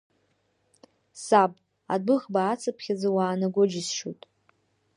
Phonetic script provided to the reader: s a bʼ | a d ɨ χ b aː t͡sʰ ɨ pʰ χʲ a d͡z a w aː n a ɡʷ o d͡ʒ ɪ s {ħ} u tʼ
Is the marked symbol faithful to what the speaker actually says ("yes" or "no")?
no